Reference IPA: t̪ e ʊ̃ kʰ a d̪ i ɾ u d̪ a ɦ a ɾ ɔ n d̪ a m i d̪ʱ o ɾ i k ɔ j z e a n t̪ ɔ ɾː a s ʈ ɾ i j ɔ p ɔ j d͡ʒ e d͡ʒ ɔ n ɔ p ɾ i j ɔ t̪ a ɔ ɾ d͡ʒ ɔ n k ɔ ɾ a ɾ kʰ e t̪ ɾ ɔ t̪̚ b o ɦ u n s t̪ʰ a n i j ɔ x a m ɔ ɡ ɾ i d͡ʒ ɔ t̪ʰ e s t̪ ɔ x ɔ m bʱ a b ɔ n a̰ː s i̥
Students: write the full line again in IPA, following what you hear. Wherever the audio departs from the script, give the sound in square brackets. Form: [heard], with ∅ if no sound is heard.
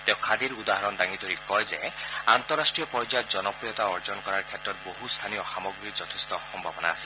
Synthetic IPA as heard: t̪ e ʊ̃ kʰ a d̪ i ɾ u d̪ a ɦ a ɾ ɔ n d̪ a [ŋ] i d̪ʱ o ɾ i k ɔ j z e a n t̪ ɔ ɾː a s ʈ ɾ i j ɔ p ɔ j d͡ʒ [a] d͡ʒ ɔ n ɔ p ɾ i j ɔ t̪ a ɔ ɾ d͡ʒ ɔ n k ɔ ɾ a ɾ kʰ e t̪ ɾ ɔ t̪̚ b o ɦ u [∅] s t̪ʰ a n i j ɔ x a m ɔ ɡ ɾ i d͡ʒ ɔ t̪ʰ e s t̪ ɔ x ɔ m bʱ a b ɔ n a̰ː s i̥